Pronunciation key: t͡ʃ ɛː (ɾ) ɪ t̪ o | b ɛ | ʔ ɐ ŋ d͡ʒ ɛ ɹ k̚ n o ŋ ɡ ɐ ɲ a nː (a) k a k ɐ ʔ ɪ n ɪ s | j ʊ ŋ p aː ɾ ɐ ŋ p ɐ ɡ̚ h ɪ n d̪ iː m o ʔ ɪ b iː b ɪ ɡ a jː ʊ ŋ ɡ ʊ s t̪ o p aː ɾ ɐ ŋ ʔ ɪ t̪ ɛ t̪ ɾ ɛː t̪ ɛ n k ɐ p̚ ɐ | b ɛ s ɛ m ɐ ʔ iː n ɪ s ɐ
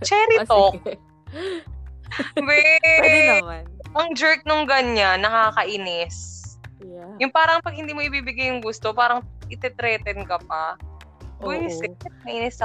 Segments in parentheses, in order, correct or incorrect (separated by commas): correct, incorrect